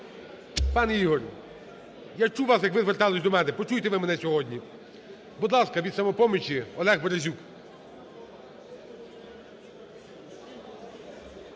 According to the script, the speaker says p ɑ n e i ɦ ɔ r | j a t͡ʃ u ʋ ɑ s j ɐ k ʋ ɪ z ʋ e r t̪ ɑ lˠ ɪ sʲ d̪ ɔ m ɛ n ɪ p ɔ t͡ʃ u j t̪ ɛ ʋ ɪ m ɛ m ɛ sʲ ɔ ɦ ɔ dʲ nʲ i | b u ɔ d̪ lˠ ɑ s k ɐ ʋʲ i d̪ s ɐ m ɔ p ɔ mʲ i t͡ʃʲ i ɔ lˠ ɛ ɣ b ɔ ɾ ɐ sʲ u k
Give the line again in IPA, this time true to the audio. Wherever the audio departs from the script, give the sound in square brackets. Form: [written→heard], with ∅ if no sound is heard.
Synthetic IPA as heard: p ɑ n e i ɦ ɔ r | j a t͡ʃ u ʋ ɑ s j ɐ k ʋ ɪ z ʋ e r t̪ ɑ lˠ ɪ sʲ d̪ ɔ m ɛ n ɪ p ɔ t͡ʃ u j t̪ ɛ ʋ ɪ m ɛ [m→n] ɛ sʲ ɔ ɦ ɔ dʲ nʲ i | b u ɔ d̪ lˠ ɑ s k ɐ ʋʲ i d̪ s ɐ m ɔ p ɔ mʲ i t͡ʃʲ i ɔ lˠ ɛ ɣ b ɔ ɾ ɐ [sʲ→zʲ] u k

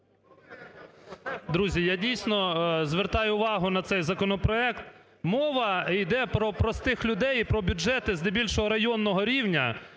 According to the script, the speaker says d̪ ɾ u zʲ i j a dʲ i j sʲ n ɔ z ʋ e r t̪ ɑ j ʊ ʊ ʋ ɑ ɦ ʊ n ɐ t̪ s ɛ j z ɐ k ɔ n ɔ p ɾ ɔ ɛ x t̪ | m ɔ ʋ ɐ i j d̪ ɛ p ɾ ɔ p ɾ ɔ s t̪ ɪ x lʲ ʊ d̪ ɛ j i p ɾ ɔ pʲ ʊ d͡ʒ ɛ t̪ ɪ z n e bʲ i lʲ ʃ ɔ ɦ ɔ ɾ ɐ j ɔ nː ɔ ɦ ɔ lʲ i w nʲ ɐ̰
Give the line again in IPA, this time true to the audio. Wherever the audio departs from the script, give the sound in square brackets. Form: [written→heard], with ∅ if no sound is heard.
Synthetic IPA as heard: d̪ ɾ u zʲ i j a dʲ i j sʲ n ɔ z ʋ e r t̪ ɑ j ʊ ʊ ʋ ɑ ɦ ʊ n ɐ t̪ s ɛ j z ɐ k ɔ n ɔ p ɾ ɔ ɛ [x→k] t̪ | m ɔ ʋ ɐ i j d̪ ɛ p ɾ ɔ p ɾ ɔ s t̪ ɪ x lʲ ʊ d̪ ɛ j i p ɾ ɔ [pʲ→bʲ] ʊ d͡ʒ ɛ t̪ ɪ z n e bʲ i lʲ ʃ ɔ ɦ ɔ ɾ ɐ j ɔ nː ɔ ɦ ɔ [lʲ→ɾʲ] i w nʲ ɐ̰

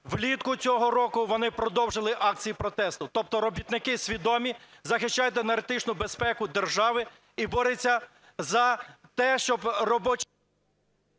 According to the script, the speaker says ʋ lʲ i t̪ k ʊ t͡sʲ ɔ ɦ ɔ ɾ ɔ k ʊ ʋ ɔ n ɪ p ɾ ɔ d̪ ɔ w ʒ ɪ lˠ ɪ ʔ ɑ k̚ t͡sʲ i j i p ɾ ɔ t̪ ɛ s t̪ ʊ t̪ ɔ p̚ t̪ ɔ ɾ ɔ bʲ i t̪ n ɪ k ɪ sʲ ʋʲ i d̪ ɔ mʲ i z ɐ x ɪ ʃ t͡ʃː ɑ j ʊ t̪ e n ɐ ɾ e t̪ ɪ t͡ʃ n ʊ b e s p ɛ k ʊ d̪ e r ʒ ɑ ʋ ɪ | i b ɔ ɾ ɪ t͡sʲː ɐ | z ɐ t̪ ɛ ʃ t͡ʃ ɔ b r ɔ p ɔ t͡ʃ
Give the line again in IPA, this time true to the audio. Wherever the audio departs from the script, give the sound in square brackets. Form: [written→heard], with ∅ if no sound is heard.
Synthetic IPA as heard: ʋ lʲ i t̪ k ʊ t͡sʲ ɔ ɦ ɔ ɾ ɔ k ʊ ʋ ɔ n ɪ p ɾ ɔ d̪ ɔ w ʒ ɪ lˠ ɪ ʔ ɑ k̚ t͡sʲ i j i p ɾ ɔ t̪ ɛ s t̪ ʊ t̪ ɔ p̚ t̪ ɔ ɾ ɔ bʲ i t̪ n ɪ k ɪ sʲ ʋʲ i d̪ ɔ mʲ i z ɐ x ɪ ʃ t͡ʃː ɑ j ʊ t̪ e n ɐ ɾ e t̪ ɪ t͡ʃ n ʊ b e s p ɛ k ʊ d̪ e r ʒ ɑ ʋ ɪ | i b ɔ ɾ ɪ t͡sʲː ɐ | z ɐ t̪ ɛ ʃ t͡ʃ ɔ b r ɔ [p→b] ɔ t͡ʃ

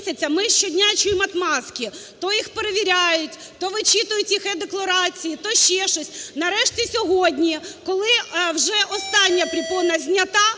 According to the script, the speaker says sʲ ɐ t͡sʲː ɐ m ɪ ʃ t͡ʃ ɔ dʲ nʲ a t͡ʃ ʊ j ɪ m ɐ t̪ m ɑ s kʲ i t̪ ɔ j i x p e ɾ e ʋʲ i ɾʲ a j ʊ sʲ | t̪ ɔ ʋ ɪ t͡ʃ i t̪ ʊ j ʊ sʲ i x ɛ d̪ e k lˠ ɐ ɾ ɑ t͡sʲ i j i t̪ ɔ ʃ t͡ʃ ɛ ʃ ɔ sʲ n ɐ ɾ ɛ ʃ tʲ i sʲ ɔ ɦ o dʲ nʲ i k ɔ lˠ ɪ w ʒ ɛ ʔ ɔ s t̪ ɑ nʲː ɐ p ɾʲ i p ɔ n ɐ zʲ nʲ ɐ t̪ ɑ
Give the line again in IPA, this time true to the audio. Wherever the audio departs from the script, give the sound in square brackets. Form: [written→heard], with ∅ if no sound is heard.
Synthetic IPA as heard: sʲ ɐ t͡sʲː ɐ m ɪ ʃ t͡ʃ ɔ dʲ nʲ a t͡ʃ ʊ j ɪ m ɐ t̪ m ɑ s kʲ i t̪ ɔ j i x p e ɾ e ʋʲ i ɾʲ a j ʊ [sʲ→tʲ] | t̪ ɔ ʋ ɪ t͡ʃ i t̪ ʊ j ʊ [sʲ→tʲ] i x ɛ d̪ e k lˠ ɐ ɾ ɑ t͡sʲ i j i t̪ ɔ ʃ t͡ʃ ɛ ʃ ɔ sʲ n ɐ ɾ ɛ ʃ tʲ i sʲ ɔ ɦ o dʲ nʲ i k ɔ lˠ ɪ w ʒ ɛ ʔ ɔ s t̪ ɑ nʲː ɐ p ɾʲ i p ɔ n ɐ zʲ nʲ ɐ t̪ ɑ

